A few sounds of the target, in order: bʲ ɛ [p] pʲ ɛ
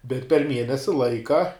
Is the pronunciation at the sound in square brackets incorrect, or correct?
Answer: incorrect